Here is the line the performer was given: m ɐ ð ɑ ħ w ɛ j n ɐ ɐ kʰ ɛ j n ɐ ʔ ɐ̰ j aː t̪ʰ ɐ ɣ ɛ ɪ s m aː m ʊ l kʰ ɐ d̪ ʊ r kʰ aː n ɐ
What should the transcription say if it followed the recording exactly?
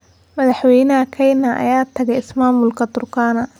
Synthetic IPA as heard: m ɐ ð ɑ ħ w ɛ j n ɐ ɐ kʰ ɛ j n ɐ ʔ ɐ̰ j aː t̪ʰ ɐ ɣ ɛ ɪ s m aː m ʊ l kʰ ɐ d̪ ʊ r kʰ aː n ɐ